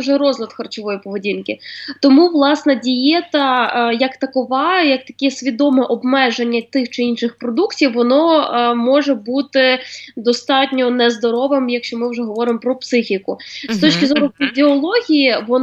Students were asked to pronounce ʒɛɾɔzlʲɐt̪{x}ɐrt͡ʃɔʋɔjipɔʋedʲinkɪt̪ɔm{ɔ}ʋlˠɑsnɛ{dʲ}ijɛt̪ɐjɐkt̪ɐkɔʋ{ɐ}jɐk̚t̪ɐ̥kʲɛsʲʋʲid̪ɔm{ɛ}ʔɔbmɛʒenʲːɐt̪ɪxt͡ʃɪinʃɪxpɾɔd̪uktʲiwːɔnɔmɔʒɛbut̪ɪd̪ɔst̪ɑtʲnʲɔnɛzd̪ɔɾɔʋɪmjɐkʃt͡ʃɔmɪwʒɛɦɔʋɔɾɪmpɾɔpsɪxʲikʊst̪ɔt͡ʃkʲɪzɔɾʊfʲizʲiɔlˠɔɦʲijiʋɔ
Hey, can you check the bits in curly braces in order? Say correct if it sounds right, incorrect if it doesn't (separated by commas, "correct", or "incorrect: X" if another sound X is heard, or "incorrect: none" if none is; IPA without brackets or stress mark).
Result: correct, incorrect: u, correct, incorrect: ɑ, correct